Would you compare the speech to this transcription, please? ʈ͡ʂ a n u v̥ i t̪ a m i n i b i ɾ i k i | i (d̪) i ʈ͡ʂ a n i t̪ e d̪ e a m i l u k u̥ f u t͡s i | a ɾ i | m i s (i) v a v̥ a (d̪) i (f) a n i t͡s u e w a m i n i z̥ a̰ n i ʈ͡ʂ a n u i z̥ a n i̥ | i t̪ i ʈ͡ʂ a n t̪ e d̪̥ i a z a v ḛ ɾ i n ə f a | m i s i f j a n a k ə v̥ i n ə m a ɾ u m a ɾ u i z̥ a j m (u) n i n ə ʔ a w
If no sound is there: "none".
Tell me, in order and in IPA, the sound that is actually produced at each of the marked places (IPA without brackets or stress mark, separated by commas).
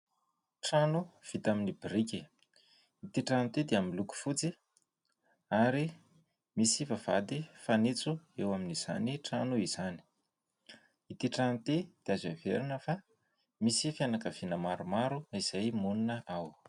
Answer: t̪, i, d̪, f, u